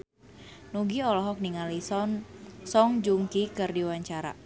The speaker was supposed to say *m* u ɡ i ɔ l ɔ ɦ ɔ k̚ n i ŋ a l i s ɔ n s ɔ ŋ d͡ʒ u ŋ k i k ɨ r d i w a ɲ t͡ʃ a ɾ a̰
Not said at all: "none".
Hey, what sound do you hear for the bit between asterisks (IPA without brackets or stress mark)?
n